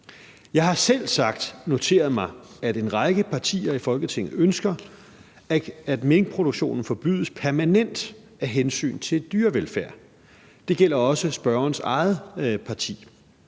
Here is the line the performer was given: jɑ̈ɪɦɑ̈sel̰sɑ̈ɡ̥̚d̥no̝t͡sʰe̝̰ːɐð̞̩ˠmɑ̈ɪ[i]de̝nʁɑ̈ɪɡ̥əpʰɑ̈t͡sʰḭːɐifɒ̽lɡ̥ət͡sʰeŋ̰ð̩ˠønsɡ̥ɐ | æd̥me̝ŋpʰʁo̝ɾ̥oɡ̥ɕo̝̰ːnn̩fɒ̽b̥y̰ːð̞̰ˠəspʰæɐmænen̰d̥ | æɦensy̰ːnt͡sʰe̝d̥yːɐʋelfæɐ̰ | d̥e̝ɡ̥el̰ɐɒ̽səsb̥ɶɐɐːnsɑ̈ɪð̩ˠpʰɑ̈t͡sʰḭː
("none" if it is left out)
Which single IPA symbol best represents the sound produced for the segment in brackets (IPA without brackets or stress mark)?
æ